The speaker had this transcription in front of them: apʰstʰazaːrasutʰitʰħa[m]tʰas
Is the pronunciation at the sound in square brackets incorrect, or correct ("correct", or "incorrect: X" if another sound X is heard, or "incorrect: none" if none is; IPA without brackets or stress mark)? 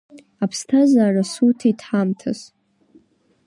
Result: correct